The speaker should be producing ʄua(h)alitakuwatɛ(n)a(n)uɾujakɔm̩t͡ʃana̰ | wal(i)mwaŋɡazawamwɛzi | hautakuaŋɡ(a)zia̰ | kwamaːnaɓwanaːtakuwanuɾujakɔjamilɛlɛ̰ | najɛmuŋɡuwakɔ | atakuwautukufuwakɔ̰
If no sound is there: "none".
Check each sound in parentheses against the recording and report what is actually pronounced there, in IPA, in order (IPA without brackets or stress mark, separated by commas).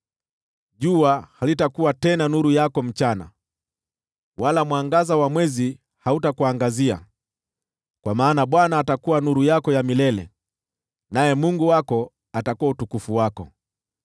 h, n, n, a, a